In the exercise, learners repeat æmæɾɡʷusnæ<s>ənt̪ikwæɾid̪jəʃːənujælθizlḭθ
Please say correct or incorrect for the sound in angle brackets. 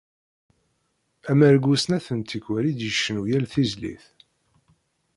incorrect